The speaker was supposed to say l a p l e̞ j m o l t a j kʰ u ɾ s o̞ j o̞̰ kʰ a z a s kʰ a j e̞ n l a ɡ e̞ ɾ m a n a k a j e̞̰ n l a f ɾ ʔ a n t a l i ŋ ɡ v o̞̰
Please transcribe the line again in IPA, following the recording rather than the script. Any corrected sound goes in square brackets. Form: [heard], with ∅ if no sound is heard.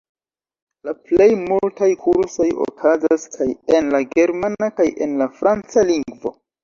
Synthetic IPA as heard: l a p l e̞ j m [u] l t a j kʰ u ɾ s o̞ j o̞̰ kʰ a z a s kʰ a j e̞ n l a ɡ e̞ ɾ m a n a k a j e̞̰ n l a f ɾ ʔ a n [t͡s] a l i ŋ ɡ v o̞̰